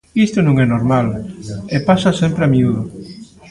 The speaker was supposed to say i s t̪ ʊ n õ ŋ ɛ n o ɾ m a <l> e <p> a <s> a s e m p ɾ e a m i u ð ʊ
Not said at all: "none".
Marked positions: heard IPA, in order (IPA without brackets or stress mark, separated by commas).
l, p, s